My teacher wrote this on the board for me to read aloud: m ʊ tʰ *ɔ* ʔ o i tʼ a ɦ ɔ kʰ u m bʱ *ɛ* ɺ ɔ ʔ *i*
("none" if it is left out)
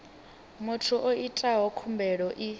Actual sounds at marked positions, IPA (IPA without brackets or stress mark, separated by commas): u, ɛ, i